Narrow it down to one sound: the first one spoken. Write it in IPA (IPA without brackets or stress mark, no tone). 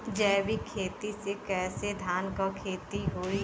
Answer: d͡ʒ